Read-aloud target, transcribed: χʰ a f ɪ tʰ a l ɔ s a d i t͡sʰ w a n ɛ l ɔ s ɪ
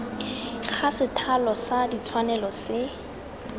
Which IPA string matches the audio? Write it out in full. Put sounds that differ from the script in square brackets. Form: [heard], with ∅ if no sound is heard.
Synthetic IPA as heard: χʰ a [s] ɪ tʰ a l ɔ s a d i t͡sʰ w a n ɛ l ɔ s ɪ